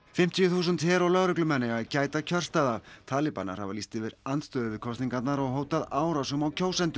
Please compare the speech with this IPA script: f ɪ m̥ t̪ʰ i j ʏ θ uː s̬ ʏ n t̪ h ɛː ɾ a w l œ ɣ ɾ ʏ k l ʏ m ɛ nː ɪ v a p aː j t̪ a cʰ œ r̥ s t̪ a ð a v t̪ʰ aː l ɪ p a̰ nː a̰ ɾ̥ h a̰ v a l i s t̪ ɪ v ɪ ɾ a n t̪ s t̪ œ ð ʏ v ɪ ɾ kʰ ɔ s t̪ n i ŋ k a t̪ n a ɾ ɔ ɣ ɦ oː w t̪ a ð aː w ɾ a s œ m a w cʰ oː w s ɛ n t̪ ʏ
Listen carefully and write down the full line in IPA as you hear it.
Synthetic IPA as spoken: f ɪ m̥ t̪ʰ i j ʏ θ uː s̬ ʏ n t̪ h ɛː ɾ a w l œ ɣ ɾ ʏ k l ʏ m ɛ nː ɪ ɣ a c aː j t̪ a cʰ œ r̥ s t̪ a ð a v t̪ʰ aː l ɪ p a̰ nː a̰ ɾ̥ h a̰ v a l i s t̪ ɪ v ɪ ɾ a n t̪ s t̪ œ ð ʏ v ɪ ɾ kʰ ɔ s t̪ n i ŋ k a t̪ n a ɾ ɔ ɣ ɦ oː w t̪ a ð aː w ɾ a s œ m a w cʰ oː w s ɛ n t̪ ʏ